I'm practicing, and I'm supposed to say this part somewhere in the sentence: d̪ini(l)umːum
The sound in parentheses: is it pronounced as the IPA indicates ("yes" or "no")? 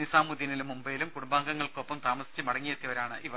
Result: yes